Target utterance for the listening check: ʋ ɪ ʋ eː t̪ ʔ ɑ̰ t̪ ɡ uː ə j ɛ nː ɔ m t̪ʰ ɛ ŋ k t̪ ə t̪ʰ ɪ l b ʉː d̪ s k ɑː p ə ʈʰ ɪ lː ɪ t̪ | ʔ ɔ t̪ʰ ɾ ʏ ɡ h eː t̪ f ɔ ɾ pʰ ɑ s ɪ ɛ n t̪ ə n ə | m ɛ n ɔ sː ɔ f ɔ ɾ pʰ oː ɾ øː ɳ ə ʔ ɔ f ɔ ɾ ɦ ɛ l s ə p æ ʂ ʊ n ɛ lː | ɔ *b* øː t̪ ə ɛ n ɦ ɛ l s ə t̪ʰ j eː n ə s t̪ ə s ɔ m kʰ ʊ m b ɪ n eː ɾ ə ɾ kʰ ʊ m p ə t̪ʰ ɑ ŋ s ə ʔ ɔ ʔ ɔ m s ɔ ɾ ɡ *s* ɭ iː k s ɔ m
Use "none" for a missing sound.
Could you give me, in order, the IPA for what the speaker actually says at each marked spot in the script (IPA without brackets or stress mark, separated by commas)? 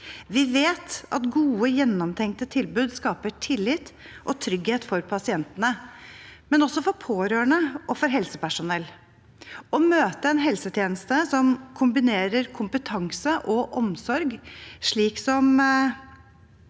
m, ʂ